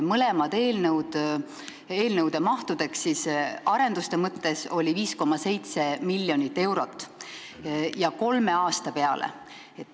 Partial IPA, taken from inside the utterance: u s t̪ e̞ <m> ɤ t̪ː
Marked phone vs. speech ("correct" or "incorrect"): correct